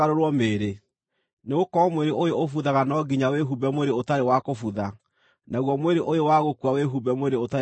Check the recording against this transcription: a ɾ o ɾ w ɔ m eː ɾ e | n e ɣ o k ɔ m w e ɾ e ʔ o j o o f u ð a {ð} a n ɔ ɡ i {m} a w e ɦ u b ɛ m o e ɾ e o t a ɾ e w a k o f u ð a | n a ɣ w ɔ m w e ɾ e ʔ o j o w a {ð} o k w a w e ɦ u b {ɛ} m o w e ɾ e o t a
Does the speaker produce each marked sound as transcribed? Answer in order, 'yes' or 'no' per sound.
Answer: no, no, no, yes

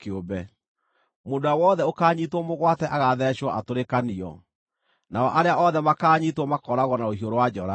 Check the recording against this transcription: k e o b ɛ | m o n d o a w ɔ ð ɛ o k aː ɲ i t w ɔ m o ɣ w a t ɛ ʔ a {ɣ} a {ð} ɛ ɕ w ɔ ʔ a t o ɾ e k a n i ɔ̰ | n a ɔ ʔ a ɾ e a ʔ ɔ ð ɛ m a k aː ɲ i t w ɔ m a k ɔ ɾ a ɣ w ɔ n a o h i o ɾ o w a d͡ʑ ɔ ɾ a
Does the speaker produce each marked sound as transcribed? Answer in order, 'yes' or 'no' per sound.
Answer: yes, yes

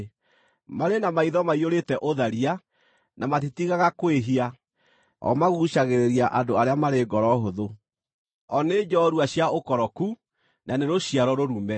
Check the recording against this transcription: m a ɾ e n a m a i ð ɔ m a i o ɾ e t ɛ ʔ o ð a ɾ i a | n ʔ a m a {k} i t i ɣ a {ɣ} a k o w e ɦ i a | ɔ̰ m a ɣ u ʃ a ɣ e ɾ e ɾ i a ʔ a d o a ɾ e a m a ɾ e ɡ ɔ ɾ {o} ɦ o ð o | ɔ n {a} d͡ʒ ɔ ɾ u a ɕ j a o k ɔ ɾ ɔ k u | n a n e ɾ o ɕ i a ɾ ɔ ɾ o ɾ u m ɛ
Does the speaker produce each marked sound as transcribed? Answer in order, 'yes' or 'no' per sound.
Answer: no, yes, no, no

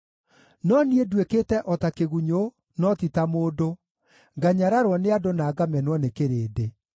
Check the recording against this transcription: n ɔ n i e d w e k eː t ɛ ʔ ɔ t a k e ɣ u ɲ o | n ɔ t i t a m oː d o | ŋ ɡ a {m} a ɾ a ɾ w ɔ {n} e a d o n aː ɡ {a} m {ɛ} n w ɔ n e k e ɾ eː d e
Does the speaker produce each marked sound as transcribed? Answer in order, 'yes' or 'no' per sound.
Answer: no, yes, yes, yes

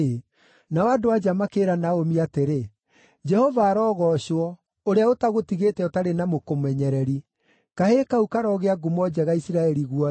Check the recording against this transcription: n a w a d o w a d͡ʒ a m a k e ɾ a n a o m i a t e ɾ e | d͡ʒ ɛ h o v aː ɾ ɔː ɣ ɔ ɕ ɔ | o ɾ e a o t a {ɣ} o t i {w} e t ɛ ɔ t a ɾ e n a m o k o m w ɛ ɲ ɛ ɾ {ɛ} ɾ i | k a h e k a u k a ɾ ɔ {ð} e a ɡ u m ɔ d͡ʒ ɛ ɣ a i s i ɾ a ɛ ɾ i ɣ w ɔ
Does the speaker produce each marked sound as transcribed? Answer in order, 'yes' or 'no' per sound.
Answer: yes, no, yes, no

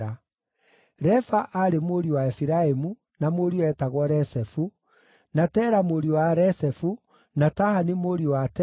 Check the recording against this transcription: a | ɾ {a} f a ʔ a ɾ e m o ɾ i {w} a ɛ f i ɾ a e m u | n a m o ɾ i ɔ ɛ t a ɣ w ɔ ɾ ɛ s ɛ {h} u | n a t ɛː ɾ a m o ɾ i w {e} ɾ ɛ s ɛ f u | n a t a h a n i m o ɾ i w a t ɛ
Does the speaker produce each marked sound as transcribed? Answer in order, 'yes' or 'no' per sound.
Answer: no, yes, no, no

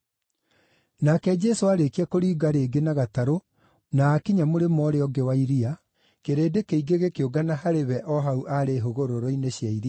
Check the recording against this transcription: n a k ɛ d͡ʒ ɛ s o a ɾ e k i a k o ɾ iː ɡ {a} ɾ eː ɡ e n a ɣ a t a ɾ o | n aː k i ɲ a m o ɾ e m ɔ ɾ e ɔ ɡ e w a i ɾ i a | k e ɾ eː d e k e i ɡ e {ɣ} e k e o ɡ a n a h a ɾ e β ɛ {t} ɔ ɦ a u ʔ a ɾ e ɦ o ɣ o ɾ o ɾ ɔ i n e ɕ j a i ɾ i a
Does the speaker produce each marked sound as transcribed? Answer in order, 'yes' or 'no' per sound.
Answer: yes, yes, no

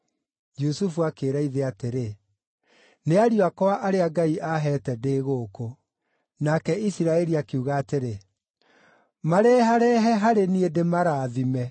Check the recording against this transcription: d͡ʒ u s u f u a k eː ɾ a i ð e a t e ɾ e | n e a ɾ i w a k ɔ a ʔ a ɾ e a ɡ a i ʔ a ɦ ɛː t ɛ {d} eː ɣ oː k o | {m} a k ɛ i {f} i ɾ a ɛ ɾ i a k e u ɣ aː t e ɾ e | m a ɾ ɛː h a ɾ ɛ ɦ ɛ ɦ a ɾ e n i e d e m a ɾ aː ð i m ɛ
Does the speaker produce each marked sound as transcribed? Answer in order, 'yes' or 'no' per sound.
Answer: yes, no, no

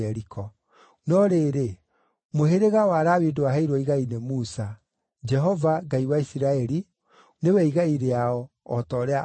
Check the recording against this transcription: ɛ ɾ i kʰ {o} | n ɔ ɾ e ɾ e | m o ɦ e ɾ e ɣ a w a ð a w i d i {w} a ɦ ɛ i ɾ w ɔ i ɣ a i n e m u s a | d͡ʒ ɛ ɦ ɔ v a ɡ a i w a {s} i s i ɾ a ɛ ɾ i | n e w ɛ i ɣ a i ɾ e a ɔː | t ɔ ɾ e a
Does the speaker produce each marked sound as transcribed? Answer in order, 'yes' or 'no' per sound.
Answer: no, yes, no

